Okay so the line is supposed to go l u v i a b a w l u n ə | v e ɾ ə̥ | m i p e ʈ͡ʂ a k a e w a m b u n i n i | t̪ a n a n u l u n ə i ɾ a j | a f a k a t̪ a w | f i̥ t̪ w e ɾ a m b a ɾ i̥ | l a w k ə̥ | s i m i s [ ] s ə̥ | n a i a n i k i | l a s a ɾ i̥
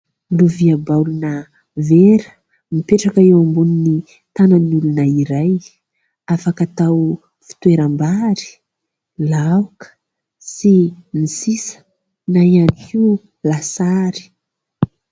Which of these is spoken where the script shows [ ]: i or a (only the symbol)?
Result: i